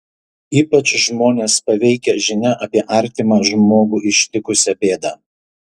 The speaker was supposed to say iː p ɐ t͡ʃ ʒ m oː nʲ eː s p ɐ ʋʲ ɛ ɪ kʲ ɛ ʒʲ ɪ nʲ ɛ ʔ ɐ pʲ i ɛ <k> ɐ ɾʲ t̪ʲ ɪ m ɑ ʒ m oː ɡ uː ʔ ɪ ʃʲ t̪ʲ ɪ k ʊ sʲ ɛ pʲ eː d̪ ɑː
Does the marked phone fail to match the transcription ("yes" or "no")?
yes